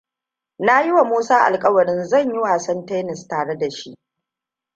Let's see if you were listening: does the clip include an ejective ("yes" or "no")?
yes